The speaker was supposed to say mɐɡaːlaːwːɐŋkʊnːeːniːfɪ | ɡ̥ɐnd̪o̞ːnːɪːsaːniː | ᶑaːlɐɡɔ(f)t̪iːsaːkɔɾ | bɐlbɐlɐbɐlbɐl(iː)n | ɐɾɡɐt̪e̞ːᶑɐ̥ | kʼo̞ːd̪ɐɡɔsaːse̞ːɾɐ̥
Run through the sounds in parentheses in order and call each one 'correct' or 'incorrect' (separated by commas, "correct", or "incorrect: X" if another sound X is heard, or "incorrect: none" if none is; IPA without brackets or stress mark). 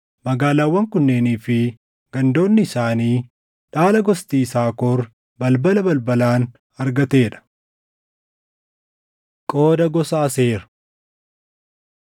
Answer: incorrect: s, incorrect: aː